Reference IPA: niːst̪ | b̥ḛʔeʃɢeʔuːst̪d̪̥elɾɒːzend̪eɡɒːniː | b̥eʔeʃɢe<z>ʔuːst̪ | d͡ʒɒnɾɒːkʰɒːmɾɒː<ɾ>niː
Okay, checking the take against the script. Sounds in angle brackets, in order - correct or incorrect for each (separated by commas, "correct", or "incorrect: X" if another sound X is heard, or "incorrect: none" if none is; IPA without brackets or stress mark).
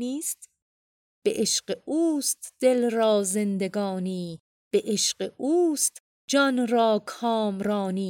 incorrect: none, incorrect: none